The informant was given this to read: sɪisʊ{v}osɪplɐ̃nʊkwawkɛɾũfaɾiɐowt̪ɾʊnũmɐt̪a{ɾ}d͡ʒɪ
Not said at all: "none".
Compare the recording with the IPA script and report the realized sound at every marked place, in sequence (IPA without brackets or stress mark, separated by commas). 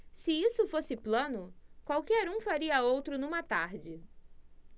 f, ɾ